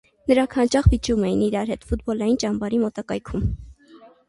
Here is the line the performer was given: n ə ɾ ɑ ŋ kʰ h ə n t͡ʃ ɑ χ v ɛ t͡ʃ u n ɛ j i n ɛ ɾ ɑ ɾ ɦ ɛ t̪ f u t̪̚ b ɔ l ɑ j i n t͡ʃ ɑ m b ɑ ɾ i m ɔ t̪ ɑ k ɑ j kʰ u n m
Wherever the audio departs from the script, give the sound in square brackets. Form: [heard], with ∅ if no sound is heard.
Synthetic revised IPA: n ə ɾ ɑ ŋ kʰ h [ɑ] n t͡ʃ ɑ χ v [i] t͡ʃ u [m] ɛ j i n [i] ɾ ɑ ɾ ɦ ɛ t̪ f u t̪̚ b ɔ l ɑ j i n t͡ʃ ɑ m b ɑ ɾ i m ɔ t̪ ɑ k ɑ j kʰ u [∅] m